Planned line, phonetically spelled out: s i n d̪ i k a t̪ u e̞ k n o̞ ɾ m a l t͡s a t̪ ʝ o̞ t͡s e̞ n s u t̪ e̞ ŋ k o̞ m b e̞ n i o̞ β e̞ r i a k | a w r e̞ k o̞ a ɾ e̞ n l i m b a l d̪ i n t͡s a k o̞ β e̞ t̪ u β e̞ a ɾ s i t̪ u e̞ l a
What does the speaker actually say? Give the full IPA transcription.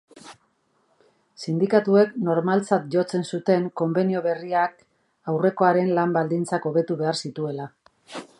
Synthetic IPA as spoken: s i n d̪ i k a t̪ u e̞ k n o̞ ɾ m a l t͡s a t̪ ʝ o̞ t͡s e̞ n s u t̪ e̞ ŋ k o̞ m b e̞ n i o̞ β e̞ r i a k | a w r e̞ k o̞ a ɾ e̞ n l a m b a l d̪ i n t͡s a k o̞ β e̞ t̪ u β e̞ a ɾ s i t̪ u e̞ l a

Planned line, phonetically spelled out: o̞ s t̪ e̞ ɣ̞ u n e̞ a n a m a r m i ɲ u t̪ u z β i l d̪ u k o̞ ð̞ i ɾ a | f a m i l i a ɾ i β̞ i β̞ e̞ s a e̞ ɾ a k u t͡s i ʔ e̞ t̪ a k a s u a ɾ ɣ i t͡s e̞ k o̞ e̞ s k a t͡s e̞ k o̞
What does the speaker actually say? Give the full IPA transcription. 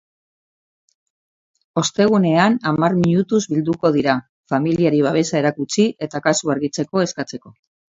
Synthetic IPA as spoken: o̞ s t̪ e̞ ɣ̞ u n e̞ a n a m a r m i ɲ u t̪ u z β i l d̪ u k o̞ ð̞ i ɾ a | f a m i l i a ɾ i β̞ a β̞ e̞ s a e̞ ɾ a k u t͡s i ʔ e̞ t̪ a k a s u a ɾ ɣ i t͡s e̞ k o̞ e̞ s k a t͡s e̞ k o̞

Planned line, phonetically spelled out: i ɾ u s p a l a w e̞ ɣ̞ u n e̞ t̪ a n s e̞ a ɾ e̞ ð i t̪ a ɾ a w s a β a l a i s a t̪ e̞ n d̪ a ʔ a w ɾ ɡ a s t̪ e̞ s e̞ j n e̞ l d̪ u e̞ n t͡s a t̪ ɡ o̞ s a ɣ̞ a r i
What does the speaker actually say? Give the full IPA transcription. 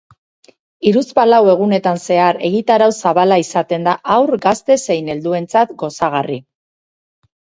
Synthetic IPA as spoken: i ɾ u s p a l a w e̞ ɣ̞ u n e̞ t̪ a n s e̞ a ɾ e̞ ɣ i t̪ a ɾ a w s a β a l a i s a t̪ e̞ n d̪ a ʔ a w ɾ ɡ a s t̪ e̞ s e̞ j n e̞ l d̪ u e̞ n t͡s a t̪ ɡ o̞ s a ɣ̞ a r i

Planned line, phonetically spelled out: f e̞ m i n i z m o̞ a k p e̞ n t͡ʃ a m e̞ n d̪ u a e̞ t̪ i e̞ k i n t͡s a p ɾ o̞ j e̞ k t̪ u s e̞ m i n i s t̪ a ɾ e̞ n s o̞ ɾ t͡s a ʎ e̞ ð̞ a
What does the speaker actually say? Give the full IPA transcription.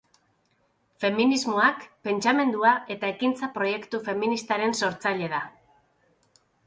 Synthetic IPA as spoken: f e̞ m i n i z m o̞ a k p e̞ n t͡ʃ a m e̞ n d̪ u a e̞ t̪ a e̞ k i n t͡s a p ɾ o̞ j e̞ k t̪ u f e̞ m i n i s t̪ a ɾ e̞ n s o̞ ɾ t͡s a ʎ e̞ ð̞ a

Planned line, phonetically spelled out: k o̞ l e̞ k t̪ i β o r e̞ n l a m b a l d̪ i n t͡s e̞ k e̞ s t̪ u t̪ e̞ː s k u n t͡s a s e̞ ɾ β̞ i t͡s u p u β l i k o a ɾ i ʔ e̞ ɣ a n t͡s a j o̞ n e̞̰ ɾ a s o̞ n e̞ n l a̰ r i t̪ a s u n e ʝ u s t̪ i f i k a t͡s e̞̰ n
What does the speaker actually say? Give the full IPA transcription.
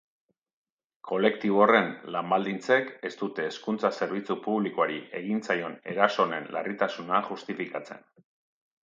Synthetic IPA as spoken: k o̞ l e̞ k t̪ i β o r e̞ n l a m b a l d̪ i n t͡s e̞ k e̞ s t̪ u t̪ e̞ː s k u n t͡s a s e̞ ɾ β̞ i t͡s u p u β l i k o a ɾ i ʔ e̞ ɣ i n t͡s a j o̞ n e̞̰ ɾ a s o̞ n e̞ n l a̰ r i t̪ a s u n a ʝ u s t̪ i f i k a t͡s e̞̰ n

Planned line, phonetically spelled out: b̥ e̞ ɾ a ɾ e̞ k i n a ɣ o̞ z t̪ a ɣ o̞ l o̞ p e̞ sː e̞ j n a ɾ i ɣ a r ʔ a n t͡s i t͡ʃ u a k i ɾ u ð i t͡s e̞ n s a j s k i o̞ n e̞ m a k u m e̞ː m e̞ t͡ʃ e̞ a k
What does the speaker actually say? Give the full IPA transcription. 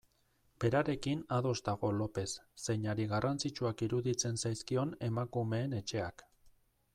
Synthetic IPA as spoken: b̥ e̞ ɾ a ɾ e̞ k i n a ð o̞ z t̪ a ɣ o̞ l o̞ p e̞ sː e̞ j ɲ a ɾ i ɣ a r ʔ a n t͡s i t͡ʃ u a k i ɾ u ð i t͡s e̞ n s a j s k i o̞ n e̞ m a k u m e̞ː n e̞ t͡ʃ e̞ a k

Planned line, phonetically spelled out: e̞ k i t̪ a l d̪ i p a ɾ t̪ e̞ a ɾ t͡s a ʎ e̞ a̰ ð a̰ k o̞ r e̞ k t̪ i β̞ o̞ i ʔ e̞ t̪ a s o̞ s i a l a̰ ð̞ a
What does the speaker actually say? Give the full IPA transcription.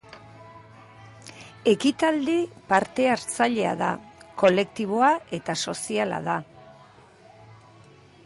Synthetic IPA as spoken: e̞ k i t̪ a l d̪ i p a ɾ t̪ e̞ a ɾ t͡s a ʎ e̞ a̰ ð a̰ k o̞ l e̞ k t̪ i β̞ o̞ a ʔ e̞ t̪ a s o̞ s i a l a̰ ð̞ a

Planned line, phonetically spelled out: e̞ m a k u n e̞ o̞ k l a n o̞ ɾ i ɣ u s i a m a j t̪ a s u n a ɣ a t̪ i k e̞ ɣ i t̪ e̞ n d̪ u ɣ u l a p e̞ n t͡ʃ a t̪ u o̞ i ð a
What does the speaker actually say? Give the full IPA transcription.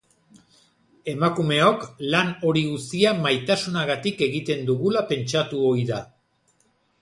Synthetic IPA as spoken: e̞ m a k u m e̞ o̞ k l a n o̞ ɾ i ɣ u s i a m a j t̪ a s u n a ɣ a t̪ i k e̞ ɣ i t̪ e̞ n d̪ u ɣ u l a p e̞ n t͡ʃ a t̪ u o̞ i ð a

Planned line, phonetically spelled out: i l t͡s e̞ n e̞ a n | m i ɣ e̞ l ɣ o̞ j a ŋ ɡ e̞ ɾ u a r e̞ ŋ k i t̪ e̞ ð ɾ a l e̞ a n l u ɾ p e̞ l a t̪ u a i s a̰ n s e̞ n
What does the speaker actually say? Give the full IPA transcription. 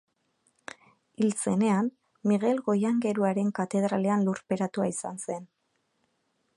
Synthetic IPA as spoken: i l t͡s e̞ n e̞ a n | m i ɣ e̞ l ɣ o̞ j a ŋ ɡ e̞ ɾ u a ɾ e̞ ŋ k a t̪ e̞ ð ɾ a l e̞ a n l u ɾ p e̞ ɾ a t̪ u a i s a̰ n s e̞ n

